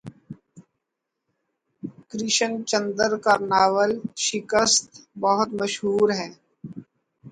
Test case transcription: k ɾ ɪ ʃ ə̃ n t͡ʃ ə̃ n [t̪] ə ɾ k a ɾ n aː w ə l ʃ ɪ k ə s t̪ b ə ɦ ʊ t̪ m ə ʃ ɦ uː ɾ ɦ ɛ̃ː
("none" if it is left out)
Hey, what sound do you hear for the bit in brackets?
d̪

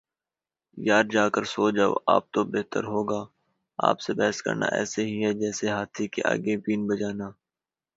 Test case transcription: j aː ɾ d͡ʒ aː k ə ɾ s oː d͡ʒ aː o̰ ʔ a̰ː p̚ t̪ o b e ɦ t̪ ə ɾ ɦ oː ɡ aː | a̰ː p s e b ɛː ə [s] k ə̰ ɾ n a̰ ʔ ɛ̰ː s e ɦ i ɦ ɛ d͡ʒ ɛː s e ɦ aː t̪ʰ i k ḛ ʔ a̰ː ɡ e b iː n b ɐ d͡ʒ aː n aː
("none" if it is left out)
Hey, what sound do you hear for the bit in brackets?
s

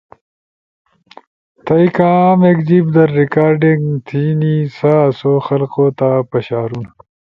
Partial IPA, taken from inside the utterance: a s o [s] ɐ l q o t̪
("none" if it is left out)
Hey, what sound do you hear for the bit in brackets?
x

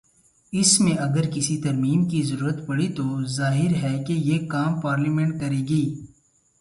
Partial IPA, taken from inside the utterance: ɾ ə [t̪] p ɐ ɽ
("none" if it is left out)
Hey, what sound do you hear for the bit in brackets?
t̪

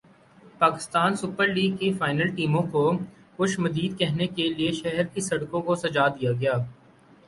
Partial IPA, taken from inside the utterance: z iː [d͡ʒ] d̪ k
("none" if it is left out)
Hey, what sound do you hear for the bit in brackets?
none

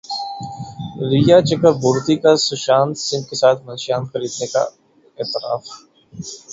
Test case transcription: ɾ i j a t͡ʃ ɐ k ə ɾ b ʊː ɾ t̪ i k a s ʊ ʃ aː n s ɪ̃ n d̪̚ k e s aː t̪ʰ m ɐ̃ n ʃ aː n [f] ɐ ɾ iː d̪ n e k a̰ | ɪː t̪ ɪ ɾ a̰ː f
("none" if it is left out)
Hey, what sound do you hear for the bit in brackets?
x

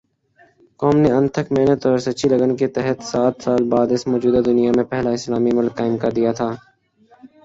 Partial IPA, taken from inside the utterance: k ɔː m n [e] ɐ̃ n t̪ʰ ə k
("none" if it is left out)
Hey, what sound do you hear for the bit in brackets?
e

